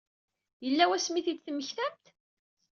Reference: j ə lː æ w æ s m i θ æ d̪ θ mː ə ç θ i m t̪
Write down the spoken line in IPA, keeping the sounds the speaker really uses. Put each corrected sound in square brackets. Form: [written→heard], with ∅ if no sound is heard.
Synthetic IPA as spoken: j ə lː æ w æ s m i θ [æ→i] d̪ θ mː ə ç θ [i→æ] m t̪